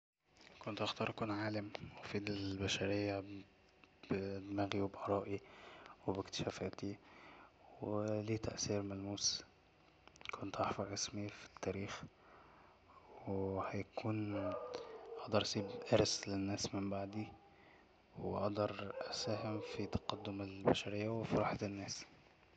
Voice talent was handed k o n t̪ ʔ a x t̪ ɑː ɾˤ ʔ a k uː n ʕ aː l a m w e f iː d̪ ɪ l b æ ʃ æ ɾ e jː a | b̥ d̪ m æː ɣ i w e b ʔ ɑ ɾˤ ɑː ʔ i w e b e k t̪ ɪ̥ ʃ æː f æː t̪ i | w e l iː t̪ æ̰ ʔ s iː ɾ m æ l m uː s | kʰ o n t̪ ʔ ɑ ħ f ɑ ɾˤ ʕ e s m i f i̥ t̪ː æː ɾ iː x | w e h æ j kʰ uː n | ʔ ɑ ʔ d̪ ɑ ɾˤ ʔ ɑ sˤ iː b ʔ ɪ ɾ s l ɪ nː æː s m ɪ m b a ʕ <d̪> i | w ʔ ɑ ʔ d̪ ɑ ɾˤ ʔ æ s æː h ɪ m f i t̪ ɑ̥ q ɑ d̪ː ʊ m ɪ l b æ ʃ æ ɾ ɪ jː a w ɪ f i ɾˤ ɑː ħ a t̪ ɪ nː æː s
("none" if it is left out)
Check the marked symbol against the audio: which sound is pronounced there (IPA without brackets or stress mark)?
d̪